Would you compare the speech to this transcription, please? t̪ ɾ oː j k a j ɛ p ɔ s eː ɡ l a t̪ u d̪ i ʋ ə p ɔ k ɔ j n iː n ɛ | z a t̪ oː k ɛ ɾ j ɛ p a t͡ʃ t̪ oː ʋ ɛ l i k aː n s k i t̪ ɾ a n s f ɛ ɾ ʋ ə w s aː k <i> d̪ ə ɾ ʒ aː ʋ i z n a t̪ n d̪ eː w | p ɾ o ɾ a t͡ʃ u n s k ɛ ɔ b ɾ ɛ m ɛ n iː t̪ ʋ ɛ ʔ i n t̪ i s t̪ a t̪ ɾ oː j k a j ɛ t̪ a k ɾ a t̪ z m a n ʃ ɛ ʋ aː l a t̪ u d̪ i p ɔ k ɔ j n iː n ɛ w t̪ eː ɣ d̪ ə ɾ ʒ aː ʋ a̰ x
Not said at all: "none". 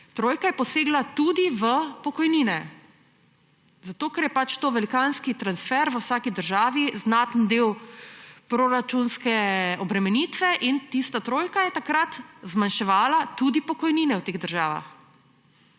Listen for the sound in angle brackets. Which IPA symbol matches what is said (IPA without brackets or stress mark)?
i